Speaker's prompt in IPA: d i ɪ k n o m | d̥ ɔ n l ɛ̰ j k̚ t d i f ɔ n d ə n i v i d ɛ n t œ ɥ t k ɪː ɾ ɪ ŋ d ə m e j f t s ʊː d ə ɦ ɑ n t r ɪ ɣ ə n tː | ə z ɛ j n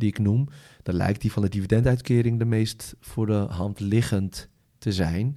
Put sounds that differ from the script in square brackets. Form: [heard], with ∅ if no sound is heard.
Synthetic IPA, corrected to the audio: d i ɪ k n [u] m | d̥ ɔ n l ɛ̰ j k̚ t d i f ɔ n d ə [d] i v i d ɛ n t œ ɥ t k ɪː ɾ ɪ ŋ d ə m e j [s] t [f] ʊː d ə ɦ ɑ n t [l] ɪ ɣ ə n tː | ə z ɛ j n